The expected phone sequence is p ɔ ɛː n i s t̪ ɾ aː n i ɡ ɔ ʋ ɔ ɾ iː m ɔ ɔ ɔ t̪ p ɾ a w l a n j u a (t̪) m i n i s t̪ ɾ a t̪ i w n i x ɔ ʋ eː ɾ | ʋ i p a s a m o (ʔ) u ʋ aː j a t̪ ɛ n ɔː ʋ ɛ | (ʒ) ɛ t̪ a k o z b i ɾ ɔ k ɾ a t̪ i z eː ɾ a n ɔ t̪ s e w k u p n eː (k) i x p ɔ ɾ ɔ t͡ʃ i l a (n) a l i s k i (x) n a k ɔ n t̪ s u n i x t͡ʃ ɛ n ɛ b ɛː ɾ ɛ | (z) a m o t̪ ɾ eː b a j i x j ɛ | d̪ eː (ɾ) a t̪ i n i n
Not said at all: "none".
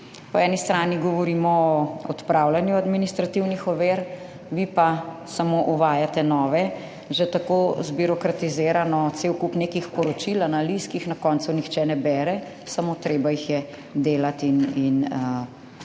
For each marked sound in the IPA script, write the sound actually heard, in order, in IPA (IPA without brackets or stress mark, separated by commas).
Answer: d̪, ʔ, ʒ, k, n, x, s, l